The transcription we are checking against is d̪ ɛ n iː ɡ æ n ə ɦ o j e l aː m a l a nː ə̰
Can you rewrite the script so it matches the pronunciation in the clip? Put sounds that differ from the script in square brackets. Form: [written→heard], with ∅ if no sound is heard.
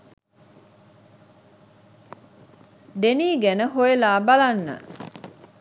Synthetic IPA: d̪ [ɛ→e] n iː ɡ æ n ə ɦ o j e l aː [m→b] a l a nː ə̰